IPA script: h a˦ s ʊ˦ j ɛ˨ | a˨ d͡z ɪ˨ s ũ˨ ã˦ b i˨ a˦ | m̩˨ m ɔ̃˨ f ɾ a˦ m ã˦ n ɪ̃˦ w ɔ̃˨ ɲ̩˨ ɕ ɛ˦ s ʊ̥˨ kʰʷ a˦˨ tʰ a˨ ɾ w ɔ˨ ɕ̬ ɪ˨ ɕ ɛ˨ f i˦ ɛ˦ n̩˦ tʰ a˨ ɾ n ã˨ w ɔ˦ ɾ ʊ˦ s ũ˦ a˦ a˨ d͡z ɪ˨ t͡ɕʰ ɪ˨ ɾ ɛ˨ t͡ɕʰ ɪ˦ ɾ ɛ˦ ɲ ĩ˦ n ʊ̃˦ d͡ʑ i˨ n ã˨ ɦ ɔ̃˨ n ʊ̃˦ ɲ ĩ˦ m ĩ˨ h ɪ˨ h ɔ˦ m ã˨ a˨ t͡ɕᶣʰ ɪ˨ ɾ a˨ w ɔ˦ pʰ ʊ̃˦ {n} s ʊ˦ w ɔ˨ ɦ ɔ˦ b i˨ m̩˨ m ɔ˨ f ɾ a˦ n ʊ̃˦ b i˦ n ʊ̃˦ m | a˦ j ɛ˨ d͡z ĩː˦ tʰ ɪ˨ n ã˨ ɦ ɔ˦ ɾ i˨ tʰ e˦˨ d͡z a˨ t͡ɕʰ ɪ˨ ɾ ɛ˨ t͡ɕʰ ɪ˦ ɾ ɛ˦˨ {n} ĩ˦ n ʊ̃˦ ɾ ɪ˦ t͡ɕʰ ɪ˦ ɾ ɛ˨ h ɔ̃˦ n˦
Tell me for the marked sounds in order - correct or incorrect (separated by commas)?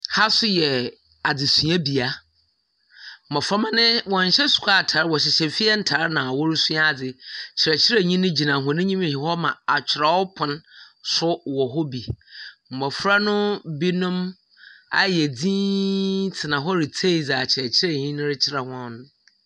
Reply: correct, incorrect